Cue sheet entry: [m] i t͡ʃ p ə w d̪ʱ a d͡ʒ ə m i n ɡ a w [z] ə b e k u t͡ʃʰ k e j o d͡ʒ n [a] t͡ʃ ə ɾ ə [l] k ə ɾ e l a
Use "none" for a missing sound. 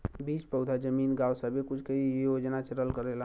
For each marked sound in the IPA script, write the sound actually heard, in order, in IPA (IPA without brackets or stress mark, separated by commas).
b, s, a, l